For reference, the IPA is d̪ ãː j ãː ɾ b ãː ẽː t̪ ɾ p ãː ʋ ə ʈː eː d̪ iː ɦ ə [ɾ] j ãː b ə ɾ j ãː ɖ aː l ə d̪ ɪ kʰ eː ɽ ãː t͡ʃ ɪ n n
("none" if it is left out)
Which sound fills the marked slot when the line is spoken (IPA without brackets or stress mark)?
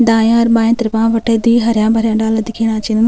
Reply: ɾ